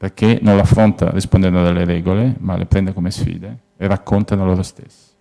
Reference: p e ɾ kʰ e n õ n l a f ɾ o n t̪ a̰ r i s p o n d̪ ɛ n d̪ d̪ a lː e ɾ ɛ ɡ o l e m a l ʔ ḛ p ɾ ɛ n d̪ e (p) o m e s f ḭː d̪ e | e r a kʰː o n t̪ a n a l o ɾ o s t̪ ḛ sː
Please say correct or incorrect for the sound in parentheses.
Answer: incorrect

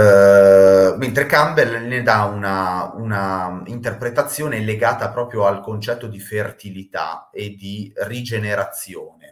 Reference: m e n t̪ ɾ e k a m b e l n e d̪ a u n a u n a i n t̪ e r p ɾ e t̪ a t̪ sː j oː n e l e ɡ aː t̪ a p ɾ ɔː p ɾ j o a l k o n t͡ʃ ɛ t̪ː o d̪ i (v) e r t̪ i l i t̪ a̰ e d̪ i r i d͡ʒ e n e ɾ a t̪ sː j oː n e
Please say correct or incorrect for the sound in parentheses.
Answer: incorrect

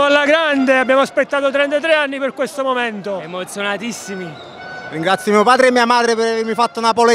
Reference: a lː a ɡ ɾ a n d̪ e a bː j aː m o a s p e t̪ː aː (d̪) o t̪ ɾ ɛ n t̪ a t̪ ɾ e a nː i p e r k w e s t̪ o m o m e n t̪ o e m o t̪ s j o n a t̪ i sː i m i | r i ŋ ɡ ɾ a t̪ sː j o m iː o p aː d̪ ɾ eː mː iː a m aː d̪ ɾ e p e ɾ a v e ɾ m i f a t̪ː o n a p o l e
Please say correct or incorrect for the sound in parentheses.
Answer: incorrect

